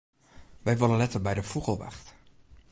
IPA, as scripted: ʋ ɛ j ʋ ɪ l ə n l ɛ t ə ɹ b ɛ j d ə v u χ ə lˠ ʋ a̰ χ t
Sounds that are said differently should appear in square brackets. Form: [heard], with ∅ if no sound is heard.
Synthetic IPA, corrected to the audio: ʋ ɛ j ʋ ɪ l ə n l ɛ t ə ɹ b ɛ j d ə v u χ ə lˠ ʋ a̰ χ t